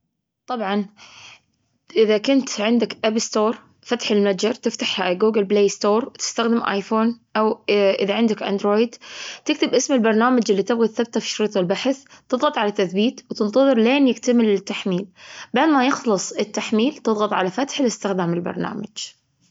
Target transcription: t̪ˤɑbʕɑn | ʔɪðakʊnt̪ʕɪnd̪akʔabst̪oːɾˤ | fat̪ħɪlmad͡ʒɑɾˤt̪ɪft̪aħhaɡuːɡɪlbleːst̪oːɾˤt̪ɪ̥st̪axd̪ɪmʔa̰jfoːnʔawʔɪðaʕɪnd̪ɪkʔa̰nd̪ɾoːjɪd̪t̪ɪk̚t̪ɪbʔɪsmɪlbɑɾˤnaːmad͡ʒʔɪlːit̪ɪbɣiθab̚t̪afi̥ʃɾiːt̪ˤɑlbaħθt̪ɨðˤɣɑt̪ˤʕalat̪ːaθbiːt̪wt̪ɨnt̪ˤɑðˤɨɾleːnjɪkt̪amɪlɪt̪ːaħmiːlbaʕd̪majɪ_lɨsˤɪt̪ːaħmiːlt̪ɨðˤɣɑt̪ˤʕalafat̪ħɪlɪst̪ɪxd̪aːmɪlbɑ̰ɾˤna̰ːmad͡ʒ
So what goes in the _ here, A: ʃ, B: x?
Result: B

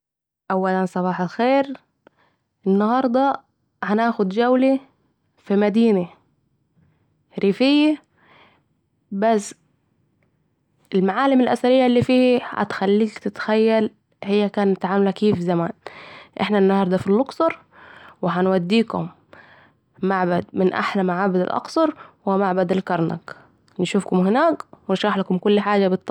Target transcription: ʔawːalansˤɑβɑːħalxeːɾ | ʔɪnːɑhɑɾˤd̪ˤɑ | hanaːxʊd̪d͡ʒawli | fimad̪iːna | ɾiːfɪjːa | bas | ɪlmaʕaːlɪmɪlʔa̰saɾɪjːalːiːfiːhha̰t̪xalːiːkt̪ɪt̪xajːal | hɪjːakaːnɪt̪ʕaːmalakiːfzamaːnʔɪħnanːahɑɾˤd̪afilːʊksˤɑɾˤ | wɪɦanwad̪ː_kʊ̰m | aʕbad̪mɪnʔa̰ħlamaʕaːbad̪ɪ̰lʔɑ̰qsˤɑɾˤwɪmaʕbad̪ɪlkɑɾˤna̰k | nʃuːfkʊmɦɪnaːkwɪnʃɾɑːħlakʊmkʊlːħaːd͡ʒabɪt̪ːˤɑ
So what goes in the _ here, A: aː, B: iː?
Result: B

